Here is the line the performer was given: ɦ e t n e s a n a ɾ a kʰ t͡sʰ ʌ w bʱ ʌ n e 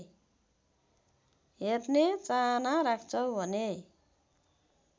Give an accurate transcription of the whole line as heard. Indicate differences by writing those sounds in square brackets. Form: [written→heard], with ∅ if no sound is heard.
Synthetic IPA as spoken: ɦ e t n e [s→t͡s] a n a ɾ a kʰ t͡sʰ ʌ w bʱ ʌ n e